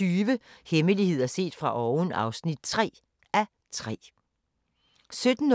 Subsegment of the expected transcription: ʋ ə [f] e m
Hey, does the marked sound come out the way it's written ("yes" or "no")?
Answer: no